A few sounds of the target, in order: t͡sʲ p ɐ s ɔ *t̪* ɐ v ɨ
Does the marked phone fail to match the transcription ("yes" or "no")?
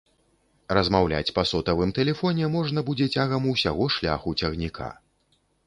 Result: no